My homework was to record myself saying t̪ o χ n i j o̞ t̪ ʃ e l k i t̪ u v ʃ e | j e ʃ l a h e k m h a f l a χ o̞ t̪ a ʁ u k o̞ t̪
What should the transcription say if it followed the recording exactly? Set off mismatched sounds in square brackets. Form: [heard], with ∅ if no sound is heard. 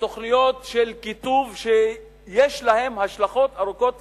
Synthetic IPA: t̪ o χ n i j o̞ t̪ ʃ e l k i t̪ u v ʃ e | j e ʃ l a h e [∅] m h a [ʃ] l a χ o̞ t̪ a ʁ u k o̞ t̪

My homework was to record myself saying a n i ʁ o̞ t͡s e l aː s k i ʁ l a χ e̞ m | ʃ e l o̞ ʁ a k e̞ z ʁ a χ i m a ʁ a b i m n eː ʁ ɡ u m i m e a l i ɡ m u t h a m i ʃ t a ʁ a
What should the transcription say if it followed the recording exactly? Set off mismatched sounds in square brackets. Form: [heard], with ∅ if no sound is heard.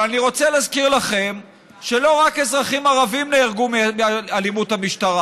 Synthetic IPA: a n i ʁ o̞ t͡s e l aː [z] k i ʁ l a χ e̞ m | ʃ e l o̞ ʁ a k e̞ z ʁ a χ i m a ʁ a [v] i m n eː ʁ ɡ u m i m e a l i [∅] m u t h a m i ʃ t a ʁ a

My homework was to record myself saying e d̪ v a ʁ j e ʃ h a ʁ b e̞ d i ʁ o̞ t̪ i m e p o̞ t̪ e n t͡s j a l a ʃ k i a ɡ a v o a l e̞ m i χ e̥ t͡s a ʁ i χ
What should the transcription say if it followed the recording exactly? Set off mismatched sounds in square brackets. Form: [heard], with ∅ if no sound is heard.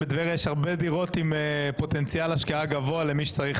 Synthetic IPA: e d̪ v [e] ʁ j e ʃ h a ʁ b e̞ d i ʁ o̞ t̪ i m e p o̞ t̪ e n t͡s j a l a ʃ k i a ɡ a v o a l e̞ m i [ʃ] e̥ t͡s a ʁ i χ

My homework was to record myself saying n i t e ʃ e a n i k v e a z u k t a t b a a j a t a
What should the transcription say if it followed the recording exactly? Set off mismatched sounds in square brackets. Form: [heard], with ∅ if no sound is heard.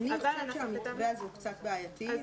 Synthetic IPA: n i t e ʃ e a [m] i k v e a z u k [t͡s] a t b [e] a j a t [i]

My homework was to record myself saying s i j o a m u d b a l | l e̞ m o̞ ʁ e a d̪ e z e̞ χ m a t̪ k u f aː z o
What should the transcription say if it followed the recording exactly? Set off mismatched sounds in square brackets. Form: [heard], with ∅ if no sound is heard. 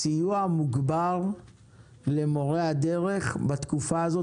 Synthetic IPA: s i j [u] a m u [ɡ] b a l | l e̞ m o̞ ʁ e a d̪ e [ʁ] e̞ χ [b] a t̪ k u f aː z o

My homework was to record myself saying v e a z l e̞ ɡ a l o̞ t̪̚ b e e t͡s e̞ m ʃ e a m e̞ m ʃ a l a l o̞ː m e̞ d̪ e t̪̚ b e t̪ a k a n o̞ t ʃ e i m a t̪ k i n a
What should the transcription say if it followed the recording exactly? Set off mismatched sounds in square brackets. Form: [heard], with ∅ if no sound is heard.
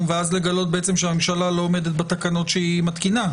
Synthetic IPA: v e a z l e̞ ɡ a l o̞ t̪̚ b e e t͡s e̞ m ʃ e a m e̞ m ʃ a l a l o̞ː m e̞ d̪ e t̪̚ b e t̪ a k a n o̞ t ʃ e i m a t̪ k i n a

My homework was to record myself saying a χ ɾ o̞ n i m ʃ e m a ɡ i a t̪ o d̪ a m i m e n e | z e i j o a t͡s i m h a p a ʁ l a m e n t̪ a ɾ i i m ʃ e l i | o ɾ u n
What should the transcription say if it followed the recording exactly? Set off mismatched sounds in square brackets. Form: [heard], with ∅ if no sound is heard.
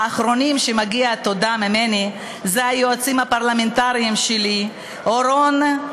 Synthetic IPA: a χ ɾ o̞ n i m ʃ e m a ɡ i a t̪ o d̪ a m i m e n [i] | z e [a] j o a t͡s i m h a p a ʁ l a m e n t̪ a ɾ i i m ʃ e l i | o ɾ [o] n

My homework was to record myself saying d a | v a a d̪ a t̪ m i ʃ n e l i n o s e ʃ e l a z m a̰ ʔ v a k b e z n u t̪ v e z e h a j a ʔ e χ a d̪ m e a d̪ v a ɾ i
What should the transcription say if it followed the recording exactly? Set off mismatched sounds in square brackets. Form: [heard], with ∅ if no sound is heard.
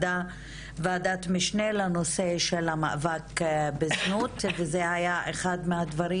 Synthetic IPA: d a | v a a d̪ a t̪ m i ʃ n e l [a] n o s e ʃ e l a [∅] m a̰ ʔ v a k b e z n u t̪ v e z e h a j a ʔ e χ a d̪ m e a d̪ v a ɾ i

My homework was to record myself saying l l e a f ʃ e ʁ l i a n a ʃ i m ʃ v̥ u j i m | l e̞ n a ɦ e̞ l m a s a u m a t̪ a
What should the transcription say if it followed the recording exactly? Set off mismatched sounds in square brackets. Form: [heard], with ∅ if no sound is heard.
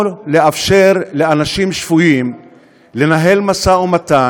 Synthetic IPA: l l e a f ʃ e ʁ l [e] a n a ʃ i m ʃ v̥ u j i m | l e̞ n a ɦ e̞ l m a s a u m a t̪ a

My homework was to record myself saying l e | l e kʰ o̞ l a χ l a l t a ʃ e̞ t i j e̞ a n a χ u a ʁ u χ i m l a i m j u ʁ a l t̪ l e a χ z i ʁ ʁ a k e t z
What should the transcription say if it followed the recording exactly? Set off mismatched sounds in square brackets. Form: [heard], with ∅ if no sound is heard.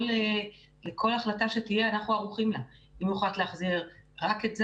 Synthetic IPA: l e | l e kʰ o̞ l a χ l a [∅] t a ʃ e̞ t i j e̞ a n a χ u a ʁ u χ i m l a i m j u [χ] a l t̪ l e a χ z i ʁ ʁ a k e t z

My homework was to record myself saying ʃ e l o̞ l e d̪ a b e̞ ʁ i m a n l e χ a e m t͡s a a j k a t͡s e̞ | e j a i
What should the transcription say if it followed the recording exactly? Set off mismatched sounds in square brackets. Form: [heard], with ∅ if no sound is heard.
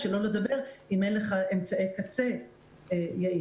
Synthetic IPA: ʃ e l o̞ l e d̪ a b e̞ ʁ i m [e] n l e χ a e m t͡s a [e] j k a t͡s e̞ | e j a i

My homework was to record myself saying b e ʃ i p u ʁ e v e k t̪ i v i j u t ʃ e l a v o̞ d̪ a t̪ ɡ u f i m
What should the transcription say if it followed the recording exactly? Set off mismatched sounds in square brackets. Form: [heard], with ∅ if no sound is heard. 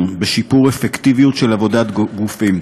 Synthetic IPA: b e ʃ i p u ʁ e [f] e k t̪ i v i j u t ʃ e l a v o̞ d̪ a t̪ ɡ u f i m

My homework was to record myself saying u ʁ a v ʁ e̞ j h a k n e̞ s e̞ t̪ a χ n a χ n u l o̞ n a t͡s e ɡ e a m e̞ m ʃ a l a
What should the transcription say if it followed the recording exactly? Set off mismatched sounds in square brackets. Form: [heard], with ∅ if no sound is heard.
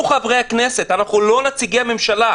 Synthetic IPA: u [χ] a v ʁ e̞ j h a k n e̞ s e̞ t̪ a [∅] n a χ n u l o̞ n a t͡s [i] ɡ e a m e̞ m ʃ a l a

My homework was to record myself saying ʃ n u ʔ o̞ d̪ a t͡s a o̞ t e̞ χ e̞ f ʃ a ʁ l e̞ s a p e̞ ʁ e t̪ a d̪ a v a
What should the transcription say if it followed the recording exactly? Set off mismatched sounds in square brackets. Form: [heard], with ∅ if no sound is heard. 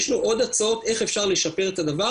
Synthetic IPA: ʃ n u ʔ o̞ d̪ a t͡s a o̞ t e̞ χ e̞ f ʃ a ʁ l e̞ [ʃ] a p e̞ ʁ e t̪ a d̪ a v a

